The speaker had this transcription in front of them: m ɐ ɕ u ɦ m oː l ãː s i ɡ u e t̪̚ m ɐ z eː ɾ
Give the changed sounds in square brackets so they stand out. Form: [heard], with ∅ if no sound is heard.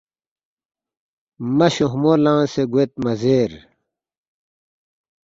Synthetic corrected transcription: m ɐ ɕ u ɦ m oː l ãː s [e] ɡ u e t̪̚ m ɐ z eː ɾ